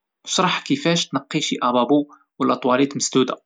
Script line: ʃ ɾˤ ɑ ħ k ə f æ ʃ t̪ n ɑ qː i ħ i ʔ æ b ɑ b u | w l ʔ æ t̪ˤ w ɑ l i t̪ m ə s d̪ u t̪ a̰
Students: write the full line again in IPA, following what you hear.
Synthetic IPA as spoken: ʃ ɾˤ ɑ ħ k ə f æ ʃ t̪ n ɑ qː i ʃ i ʔ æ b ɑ b u | w l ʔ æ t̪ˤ w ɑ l i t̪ m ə s d̪ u d̪ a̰